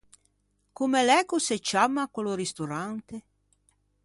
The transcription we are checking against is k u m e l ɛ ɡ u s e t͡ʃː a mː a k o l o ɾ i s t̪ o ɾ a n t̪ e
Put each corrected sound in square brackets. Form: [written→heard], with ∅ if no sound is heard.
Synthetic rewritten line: k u m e l ɛ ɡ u s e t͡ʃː a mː a k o l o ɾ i s t̪ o ɾ a n t̪ e